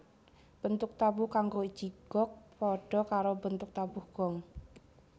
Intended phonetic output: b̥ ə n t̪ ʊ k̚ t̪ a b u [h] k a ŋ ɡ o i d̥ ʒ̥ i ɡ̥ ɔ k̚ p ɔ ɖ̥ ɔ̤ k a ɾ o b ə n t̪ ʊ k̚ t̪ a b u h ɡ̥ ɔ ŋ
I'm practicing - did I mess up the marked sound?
no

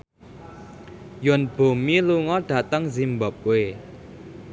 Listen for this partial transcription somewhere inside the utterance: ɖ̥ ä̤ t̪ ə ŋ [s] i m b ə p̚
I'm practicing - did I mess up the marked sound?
yes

